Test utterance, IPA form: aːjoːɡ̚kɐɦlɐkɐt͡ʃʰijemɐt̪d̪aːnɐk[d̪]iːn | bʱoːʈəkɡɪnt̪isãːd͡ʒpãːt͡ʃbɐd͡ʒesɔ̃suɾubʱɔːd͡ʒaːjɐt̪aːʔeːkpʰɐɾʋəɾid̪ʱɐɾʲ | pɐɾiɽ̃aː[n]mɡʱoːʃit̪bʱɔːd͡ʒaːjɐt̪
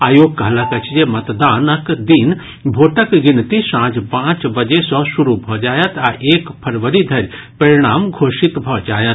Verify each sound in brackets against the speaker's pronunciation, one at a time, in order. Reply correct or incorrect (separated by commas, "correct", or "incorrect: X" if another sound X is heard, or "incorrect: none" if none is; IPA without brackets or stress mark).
correct, incorrect: none